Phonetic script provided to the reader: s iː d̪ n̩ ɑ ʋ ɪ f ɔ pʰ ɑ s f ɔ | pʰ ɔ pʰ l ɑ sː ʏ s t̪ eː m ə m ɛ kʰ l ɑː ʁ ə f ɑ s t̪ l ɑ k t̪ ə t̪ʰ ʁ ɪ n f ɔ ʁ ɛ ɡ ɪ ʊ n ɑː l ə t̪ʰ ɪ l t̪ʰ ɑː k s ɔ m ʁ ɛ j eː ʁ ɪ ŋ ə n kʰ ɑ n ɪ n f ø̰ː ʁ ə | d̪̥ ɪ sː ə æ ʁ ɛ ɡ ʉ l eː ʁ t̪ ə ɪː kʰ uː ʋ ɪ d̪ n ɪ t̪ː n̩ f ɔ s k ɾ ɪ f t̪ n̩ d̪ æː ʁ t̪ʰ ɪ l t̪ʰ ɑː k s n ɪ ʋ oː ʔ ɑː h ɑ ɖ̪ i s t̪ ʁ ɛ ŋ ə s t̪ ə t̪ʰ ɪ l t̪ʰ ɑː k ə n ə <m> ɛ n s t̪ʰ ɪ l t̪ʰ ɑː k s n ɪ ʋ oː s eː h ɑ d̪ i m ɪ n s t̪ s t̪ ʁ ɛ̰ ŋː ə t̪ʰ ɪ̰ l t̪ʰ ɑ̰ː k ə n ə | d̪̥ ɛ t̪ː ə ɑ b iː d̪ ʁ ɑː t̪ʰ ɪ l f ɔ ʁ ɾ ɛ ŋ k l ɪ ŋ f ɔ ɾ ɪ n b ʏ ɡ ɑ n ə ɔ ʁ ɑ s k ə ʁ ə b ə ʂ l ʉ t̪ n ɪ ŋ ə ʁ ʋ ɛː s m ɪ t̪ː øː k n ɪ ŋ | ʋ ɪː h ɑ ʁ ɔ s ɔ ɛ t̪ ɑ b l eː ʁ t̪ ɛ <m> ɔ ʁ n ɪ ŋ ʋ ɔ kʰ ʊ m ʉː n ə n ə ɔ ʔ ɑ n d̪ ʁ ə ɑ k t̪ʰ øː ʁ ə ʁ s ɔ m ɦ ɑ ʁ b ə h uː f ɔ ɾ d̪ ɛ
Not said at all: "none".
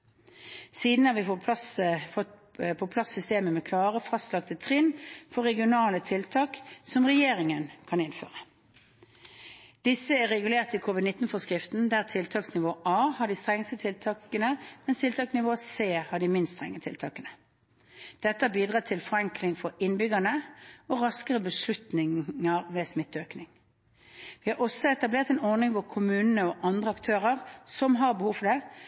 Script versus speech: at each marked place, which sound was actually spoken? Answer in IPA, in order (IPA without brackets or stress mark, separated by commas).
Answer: m, n